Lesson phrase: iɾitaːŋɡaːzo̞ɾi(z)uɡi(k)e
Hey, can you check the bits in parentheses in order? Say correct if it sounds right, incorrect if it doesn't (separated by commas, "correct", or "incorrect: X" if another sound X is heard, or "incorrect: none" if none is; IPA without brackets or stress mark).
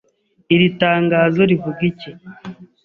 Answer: incorrect: v, incorrect: c